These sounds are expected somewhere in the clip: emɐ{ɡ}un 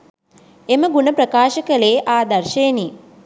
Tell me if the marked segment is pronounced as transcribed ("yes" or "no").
yes